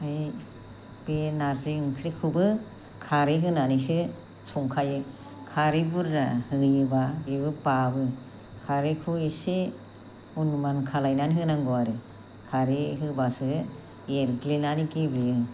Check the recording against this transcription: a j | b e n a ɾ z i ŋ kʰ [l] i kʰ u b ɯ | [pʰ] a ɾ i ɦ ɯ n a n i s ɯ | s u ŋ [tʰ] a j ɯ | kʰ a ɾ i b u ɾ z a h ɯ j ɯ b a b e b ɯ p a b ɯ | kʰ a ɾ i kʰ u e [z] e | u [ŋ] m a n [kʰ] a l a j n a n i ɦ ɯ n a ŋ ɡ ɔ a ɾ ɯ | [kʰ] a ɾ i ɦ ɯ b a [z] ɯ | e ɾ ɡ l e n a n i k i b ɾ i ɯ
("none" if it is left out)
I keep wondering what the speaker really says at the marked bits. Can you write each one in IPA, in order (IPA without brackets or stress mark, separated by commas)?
ɾ, kʰ, kʰ, s, n, kʰ, kʰ, s